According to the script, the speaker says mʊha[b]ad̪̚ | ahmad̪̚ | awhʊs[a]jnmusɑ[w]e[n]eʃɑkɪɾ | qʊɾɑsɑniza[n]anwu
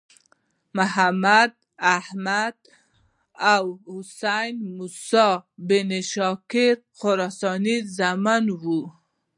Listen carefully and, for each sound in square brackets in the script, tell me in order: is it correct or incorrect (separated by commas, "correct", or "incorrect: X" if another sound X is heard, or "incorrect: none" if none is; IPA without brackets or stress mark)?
incorrect: m, correct, incorrect: b, correct, incorrect: m